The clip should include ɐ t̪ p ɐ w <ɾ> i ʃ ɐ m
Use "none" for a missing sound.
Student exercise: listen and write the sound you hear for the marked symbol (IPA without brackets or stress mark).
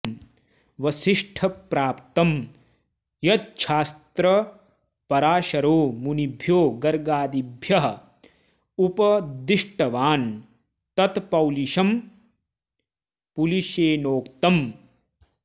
l